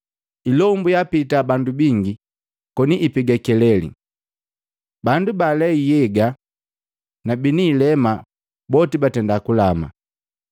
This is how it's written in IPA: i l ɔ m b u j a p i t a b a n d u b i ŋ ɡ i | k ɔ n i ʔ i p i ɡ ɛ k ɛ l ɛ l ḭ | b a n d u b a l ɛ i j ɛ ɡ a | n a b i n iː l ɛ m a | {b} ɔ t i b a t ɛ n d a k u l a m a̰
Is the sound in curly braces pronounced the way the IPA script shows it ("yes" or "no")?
yes